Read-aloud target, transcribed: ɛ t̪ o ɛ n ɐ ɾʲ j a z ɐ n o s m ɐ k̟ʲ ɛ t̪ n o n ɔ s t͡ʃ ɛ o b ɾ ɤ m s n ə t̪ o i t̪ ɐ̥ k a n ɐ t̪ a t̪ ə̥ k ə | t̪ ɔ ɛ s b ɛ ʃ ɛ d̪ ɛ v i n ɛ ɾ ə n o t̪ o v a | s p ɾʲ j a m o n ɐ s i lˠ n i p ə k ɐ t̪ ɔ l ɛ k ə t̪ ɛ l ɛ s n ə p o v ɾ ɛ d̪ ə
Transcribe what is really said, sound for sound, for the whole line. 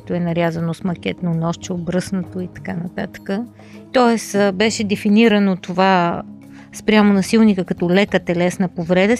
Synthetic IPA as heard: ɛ t̪ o ɛ n ɐ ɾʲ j a z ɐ n o s m ɐ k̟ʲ ɛ t̪ n o n ɔ ʃ t͡ʃ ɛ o b ɾ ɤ s n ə t̪ o i t̪ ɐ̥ k a n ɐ t̪ a t̪ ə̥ k ə | t̪ ɔ ɛ s b ɛ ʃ ɛ d̪ ɛ f i n i ɾ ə n o t̪ o v a | s p ɾʲ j a m o n ɐ s i lˠ n i k ə k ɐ t̪ ɔ l ɛ k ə t̪ ɛ l ɛ s n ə p o v ɾ ɛ d̪ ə